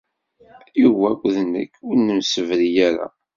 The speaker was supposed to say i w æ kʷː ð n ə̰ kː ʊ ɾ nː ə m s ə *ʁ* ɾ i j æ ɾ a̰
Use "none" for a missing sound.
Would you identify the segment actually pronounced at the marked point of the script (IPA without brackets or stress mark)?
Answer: v